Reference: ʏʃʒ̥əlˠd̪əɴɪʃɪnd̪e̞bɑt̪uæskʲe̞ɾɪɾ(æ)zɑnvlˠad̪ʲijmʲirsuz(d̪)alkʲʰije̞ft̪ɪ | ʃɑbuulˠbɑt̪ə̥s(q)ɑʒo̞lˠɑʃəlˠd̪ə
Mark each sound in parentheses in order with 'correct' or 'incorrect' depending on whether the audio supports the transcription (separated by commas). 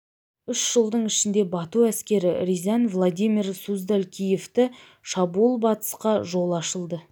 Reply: incorrect, correct, correct